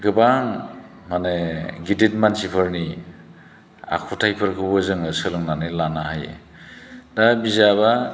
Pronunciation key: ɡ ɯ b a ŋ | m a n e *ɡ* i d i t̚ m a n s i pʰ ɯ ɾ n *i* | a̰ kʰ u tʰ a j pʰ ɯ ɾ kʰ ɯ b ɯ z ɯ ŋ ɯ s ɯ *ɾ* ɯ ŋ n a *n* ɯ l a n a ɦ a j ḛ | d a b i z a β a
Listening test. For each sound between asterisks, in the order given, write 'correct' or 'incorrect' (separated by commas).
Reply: correct, correct, incorrect, correct